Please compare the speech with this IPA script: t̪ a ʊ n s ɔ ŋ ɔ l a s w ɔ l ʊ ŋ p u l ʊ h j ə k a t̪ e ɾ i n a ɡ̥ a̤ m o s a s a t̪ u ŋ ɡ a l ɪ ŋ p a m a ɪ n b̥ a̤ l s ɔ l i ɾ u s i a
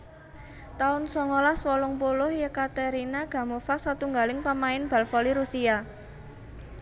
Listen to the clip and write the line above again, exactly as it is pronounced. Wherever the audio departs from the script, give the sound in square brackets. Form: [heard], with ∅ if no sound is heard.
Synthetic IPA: t̪ a ʊ n s ɔ ŋ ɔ l a s w ɔ l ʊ ŋ p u l ʊ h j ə k a t̪ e ɾ i n a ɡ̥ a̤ m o [f] a s a t̪ u ŋ ɡ a l ɪ ŋ p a m a ɪ n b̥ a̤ l [f] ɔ l i ɾ u s i a